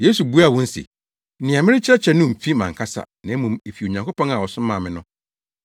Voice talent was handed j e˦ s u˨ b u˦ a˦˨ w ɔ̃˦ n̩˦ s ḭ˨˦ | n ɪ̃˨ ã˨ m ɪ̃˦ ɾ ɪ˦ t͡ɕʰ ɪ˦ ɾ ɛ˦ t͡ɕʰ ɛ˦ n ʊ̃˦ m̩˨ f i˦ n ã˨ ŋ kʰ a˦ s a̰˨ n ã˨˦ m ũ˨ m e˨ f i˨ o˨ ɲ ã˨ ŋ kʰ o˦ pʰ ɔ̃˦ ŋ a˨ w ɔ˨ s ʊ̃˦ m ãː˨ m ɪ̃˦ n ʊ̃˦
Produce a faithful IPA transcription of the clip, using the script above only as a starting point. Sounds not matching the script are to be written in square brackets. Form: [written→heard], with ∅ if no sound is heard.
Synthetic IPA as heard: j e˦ s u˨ b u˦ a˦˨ w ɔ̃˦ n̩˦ s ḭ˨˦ | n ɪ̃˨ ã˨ m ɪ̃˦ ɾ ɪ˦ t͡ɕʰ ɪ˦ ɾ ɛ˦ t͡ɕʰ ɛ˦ n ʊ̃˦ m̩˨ f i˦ [n→m] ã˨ ŋ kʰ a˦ s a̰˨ n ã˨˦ m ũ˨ m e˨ f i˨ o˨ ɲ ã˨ ŋ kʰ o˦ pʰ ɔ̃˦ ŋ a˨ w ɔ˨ s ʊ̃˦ m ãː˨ m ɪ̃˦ n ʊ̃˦